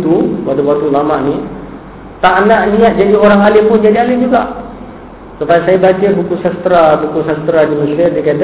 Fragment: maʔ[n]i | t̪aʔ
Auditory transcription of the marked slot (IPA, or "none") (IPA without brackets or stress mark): n